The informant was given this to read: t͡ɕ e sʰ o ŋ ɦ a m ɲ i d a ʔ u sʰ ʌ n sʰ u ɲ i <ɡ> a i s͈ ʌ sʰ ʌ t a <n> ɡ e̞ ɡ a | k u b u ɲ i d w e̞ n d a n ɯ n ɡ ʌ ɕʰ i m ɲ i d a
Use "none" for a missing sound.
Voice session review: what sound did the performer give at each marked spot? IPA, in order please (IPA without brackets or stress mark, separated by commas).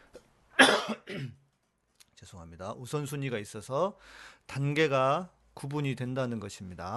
ɡ, n